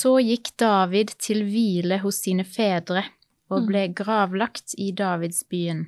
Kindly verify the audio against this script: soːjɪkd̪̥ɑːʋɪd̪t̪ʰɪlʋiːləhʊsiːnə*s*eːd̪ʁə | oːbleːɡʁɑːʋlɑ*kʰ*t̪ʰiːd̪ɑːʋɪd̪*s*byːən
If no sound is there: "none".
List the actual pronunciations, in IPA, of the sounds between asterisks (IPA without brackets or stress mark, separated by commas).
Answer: f, k, s